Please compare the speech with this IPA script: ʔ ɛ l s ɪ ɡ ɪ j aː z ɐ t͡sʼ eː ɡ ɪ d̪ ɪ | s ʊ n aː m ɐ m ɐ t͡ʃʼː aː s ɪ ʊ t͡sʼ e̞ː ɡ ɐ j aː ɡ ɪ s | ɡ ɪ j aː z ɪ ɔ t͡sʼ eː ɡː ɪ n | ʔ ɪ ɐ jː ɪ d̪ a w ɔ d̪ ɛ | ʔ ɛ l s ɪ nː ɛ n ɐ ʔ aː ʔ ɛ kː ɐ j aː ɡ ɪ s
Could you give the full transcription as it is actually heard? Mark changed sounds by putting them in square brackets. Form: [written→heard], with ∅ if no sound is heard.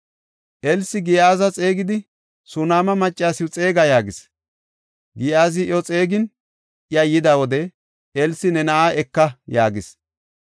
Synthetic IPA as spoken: ʔ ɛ l s ɪ ɡ ɪ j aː z ɐ t͡sʼ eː ɡ ɪ d̪ ɪ | s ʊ n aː m ɐ m ɐ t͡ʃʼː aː s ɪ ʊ t͡sʼ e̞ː ɡ ɐ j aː ɡ ɪ s | ɡ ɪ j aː z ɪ ɔ t͡sʼ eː [ɡː→ɡ] ɪ n | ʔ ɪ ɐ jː ɪ d̪ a w ɔ d̪ ɛ | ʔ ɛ l s ɪ [nː→n] ɛ n ɐ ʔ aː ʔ ɛ kː ɐ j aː ɡ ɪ s

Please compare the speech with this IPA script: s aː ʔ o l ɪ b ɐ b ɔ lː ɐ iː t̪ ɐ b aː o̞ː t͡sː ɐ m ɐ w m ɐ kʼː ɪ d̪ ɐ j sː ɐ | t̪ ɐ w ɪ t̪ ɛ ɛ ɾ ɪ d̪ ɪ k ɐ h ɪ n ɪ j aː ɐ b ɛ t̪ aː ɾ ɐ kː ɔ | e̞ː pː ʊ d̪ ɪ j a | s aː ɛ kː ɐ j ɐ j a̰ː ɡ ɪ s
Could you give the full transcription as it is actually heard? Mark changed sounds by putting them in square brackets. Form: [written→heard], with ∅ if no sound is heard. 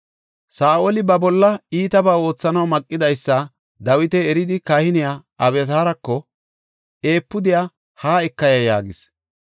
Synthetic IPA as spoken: s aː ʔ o l ɪ b ɐ b ɔ lː ɐ iː t̪ ɐ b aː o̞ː t͡sː ɐ [m→n] ɐ w m ɐ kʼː ɪ d̪ ɐ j sː ɐ | [t̪→d̪] ɐ w ɪ t̪ ɛ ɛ ɾ ɪ d̪ ɪ k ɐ h ɪ n ɪ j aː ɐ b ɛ t̪ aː ɾ ɐ kː ɔ | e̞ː pː ʊ d̪ ɪ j a | [s→h] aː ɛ kː ɐ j ɐ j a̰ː ɡ ɪ s

